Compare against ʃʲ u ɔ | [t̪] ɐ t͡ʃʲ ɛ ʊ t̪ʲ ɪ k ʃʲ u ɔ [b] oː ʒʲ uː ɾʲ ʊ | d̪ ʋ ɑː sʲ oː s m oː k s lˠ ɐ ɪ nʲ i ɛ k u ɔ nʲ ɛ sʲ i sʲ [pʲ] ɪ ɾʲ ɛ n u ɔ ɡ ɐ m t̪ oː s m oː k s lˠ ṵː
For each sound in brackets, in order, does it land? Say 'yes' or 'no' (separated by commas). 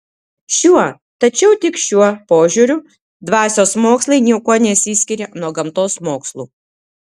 yes, no, no